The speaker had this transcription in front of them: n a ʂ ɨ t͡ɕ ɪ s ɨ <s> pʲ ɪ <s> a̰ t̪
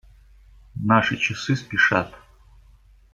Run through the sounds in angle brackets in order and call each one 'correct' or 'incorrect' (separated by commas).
correct, incorrect